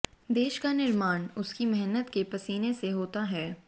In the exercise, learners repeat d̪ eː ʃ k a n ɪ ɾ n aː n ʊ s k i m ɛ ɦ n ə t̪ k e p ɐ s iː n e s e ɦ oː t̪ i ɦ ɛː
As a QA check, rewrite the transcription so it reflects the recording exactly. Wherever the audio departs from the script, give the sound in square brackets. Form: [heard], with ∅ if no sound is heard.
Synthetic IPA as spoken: d̪ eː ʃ k a n ɪ ɾ [m] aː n ʊ s k i m ɛ ɦ n ə t̪ k e p ɐ s iː n e s e ɦ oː t̪ [a] ɦ ɛː